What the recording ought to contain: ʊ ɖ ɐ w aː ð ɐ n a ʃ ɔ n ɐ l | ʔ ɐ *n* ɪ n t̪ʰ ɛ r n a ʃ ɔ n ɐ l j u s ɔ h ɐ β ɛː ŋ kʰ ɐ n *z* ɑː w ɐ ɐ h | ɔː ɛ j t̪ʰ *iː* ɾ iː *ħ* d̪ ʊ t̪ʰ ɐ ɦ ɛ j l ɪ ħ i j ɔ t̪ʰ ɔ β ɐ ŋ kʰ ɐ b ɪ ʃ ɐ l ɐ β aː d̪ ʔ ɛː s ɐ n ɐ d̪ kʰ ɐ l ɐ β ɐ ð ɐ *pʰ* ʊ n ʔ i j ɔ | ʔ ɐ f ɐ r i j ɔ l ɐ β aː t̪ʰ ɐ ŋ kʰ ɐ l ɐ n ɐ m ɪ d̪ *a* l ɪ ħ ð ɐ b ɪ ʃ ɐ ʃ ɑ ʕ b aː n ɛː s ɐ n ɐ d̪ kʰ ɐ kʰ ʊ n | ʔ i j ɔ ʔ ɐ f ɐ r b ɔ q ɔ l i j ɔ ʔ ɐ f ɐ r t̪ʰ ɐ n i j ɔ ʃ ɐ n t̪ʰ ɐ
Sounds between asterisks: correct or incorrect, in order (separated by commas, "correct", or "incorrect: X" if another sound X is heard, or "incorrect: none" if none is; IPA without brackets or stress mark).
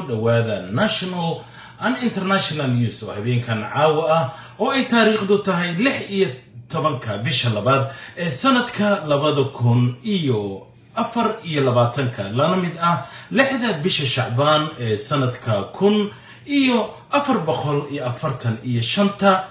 correct, incorrect: ʕ, incorrect: aː, incorrect: χ, incorrect: kʰ, incorrect: ɐ